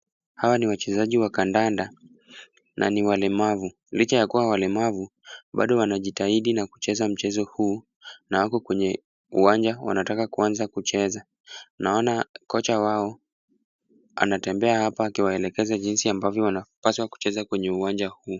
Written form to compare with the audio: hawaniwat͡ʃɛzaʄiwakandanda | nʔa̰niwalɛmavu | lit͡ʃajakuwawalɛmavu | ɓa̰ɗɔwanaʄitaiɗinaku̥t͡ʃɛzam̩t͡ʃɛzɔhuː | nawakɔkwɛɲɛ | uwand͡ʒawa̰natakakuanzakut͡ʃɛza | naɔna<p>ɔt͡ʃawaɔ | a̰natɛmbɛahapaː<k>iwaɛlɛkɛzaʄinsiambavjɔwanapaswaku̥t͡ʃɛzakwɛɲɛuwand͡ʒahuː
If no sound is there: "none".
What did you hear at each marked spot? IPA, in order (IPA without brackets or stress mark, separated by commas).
k, k